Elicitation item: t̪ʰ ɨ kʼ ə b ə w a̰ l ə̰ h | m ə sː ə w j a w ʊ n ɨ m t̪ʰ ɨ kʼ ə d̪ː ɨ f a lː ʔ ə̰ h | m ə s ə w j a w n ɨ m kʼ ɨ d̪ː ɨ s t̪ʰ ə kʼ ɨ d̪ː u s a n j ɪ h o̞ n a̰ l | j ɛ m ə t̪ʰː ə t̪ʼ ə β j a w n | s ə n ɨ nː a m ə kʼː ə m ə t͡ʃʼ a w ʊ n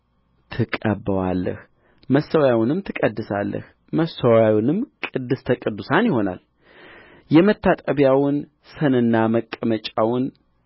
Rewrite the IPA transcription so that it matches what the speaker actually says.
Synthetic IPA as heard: t̪ʰ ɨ kʼ ə b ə w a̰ lː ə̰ h | m ə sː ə w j a w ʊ n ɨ m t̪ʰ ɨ kʼ ə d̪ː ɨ s a lː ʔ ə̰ h | m ə s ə w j a w n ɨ m kʼ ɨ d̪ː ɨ s t̪ʰ ə kʼ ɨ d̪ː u s a n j ɪ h o̞ n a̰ l | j ɛ m ə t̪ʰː a t̪ʼ ə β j a w n | s ə n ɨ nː a m ə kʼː ə m ə t͡ʃʼ a w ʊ n